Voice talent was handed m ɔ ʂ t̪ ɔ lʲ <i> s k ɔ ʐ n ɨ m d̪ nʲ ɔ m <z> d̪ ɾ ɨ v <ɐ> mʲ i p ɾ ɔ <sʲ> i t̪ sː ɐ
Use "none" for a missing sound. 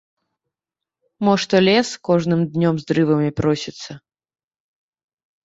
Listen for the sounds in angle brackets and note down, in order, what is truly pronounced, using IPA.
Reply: ɛ, z, ɐ, sʲ

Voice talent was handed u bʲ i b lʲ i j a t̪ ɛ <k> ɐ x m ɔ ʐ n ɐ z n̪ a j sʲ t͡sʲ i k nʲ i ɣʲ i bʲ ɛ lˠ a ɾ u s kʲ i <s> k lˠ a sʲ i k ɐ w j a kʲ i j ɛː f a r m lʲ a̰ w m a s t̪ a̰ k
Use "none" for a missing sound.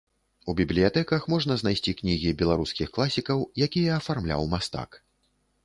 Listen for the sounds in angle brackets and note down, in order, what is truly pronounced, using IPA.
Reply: k, x

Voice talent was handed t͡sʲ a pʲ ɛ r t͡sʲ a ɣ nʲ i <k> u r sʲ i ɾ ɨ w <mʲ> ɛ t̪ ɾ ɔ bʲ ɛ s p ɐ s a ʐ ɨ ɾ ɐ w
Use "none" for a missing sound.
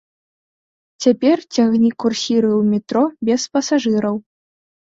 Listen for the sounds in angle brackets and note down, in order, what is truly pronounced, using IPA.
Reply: k, mʲ

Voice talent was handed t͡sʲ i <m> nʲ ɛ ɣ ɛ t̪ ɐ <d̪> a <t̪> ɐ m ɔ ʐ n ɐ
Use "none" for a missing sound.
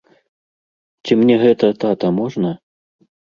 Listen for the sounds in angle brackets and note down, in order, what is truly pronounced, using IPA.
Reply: m, t̪, t̪

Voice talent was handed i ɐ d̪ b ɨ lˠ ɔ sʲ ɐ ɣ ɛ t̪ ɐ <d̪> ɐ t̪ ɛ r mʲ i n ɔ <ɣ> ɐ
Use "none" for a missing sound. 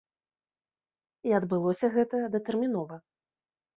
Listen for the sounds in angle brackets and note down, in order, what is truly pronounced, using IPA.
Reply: d̪, v

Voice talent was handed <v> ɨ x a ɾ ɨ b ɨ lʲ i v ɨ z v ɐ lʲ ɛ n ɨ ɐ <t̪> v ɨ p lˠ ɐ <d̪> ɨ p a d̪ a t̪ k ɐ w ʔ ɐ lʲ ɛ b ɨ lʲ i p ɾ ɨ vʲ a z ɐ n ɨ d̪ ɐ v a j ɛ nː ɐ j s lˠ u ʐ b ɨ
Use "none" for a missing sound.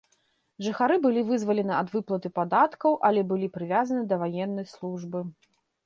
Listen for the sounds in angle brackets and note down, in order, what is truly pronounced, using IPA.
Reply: ʐ, d̪, t̪

